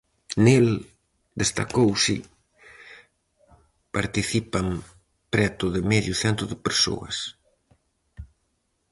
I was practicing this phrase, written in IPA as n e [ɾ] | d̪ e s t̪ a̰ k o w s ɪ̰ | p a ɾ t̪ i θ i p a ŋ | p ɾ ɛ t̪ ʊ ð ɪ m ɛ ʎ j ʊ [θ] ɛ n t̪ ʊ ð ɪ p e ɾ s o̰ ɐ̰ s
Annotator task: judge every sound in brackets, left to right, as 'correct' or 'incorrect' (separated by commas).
incorrect, correct